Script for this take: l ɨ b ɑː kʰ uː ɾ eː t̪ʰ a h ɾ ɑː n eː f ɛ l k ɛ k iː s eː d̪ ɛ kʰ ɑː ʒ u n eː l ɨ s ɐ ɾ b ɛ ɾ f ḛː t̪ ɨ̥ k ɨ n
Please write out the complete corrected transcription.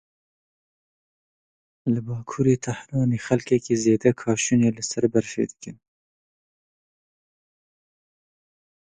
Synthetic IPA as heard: l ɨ b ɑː kʰ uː ɾ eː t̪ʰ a h ɾ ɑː n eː x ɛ l k ɛ k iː z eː d̪ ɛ kʰ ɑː ʃ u n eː l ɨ s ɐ ɾ b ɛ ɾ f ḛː d̪ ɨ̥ k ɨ n